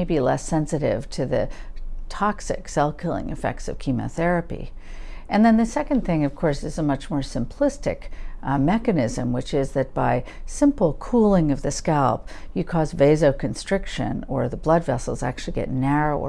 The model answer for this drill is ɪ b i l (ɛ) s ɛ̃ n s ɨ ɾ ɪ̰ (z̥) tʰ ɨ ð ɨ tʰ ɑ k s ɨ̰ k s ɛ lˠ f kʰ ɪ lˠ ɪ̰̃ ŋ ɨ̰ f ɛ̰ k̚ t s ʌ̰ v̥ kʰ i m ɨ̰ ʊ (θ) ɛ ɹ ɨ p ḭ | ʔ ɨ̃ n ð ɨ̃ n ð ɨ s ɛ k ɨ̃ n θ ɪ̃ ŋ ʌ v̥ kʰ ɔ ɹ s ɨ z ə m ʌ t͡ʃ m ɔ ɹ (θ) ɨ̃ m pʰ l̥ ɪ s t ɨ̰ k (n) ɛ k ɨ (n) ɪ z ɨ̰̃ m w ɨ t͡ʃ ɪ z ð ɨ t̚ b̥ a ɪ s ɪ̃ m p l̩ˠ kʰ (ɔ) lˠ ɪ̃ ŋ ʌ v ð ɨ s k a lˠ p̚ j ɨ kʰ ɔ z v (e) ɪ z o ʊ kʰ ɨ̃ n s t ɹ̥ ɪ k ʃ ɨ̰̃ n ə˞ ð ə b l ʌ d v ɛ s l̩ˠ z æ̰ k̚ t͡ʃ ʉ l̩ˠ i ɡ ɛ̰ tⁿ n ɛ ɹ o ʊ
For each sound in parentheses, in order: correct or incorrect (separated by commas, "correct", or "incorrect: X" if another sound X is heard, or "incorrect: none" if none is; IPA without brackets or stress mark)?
correct, incorrect: v̥, correct, incorrect: s, incorrect: m, correct, incorrect: u, correct